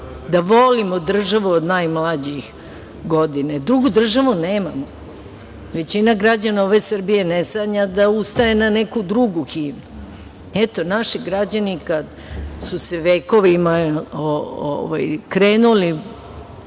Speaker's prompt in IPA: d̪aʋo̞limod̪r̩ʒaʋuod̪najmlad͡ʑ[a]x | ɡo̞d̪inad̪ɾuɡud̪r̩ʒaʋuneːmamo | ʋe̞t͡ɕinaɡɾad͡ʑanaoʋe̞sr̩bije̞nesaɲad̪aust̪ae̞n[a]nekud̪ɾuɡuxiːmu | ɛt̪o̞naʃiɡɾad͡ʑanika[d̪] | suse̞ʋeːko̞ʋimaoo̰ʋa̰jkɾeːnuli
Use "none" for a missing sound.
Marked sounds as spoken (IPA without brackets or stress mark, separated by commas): i, a, d̪